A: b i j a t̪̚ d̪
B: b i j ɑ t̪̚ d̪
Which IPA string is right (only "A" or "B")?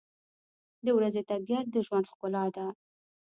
A